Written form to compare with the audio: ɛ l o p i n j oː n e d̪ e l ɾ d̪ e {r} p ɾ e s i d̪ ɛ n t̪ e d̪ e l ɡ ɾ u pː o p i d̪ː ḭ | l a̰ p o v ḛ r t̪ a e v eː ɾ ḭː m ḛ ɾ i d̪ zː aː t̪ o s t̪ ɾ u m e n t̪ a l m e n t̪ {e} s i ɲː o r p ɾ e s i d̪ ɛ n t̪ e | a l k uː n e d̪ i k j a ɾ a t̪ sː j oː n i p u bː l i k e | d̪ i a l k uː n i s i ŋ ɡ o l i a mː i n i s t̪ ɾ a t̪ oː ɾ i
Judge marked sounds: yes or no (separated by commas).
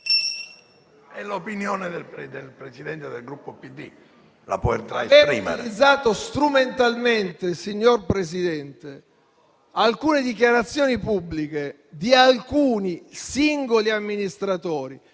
no, yes